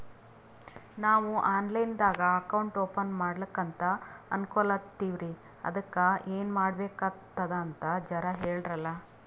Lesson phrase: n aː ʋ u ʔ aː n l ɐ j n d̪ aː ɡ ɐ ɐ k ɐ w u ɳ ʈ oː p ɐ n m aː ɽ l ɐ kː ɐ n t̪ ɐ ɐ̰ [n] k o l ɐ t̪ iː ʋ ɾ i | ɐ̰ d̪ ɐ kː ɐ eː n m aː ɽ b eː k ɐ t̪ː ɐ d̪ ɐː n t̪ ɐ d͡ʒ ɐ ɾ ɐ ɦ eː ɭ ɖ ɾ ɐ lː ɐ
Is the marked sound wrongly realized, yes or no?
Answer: no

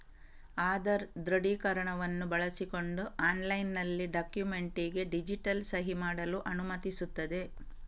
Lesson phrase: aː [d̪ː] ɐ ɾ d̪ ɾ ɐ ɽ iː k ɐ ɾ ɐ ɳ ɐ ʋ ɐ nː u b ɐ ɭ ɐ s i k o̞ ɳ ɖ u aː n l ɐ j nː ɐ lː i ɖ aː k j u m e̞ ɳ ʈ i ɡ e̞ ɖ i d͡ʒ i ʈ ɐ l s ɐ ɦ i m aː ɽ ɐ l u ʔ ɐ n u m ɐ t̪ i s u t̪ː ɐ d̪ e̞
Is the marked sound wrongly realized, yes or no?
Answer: yes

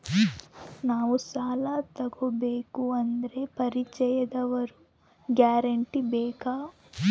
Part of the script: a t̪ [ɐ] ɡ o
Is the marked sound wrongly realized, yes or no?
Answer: no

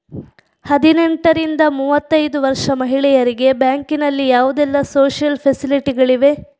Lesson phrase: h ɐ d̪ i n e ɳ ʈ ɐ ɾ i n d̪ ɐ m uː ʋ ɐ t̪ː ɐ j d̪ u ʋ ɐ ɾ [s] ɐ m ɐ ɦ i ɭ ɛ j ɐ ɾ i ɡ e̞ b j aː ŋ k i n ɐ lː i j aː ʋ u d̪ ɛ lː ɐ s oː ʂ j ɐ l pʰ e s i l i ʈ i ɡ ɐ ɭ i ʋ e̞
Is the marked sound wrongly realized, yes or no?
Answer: yes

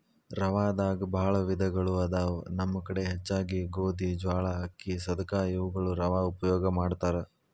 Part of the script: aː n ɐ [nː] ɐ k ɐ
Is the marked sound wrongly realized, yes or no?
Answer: yes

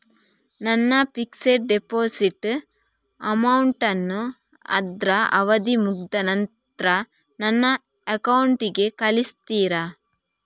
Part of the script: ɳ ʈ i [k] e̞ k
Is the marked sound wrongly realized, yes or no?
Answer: yes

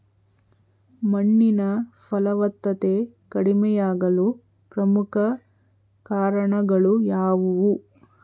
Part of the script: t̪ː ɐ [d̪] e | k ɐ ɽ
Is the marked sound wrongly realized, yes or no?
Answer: yes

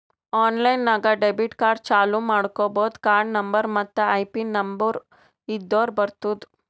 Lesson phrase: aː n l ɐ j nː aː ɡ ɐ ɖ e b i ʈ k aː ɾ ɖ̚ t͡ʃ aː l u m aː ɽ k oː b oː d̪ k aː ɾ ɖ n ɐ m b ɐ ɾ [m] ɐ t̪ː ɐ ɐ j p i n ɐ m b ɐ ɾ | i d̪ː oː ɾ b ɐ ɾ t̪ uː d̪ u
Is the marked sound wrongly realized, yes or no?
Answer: no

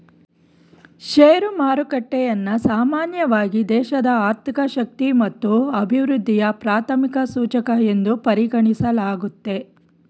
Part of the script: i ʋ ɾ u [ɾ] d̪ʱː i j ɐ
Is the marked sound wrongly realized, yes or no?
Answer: yes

